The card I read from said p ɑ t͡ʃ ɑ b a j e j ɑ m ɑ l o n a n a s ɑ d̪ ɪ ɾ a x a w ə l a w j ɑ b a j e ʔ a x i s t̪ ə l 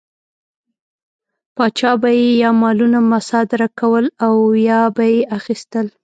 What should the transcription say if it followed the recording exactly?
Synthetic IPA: p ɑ t͡ʃ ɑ b a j e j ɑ m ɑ l u n a m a s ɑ d̪ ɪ ɾ a k a w ə l a w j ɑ b a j e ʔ a x i s t̪ ə l